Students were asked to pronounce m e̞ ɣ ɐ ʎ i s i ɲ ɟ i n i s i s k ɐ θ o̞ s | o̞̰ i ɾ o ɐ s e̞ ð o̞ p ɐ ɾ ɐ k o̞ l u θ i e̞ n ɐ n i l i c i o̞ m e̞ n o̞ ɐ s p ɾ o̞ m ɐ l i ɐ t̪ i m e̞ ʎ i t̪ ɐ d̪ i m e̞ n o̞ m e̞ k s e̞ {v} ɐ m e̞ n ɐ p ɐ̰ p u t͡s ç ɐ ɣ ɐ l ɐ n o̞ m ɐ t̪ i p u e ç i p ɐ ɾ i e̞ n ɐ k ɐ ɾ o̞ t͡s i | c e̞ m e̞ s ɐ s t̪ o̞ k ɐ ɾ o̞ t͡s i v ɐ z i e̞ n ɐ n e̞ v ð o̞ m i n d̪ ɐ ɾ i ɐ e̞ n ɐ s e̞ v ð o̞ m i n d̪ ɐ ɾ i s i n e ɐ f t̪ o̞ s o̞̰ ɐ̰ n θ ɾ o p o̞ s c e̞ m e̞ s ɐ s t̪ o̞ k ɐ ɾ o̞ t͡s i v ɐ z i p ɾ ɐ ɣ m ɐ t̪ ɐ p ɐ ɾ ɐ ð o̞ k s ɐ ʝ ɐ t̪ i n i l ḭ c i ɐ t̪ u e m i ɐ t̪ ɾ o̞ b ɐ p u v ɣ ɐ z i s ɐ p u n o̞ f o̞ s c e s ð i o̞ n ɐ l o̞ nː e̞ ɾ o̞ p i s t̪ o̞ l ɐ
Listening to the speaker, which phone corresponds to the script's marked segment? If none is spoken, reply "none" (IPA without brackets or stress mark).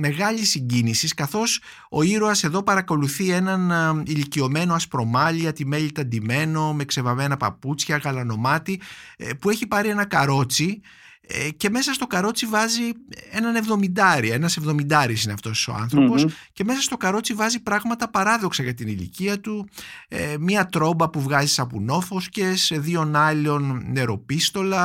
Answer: v